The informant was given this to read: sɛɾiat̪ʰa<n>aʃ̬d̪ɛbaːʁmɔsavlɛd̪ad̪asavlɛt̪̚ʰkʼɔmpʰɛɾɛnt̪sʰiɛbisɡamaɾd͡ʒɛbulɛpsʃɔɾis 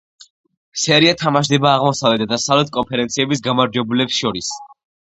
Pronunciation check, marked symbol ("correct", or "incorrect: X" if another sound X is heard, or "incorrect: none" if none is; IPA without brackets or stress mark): incorrect: m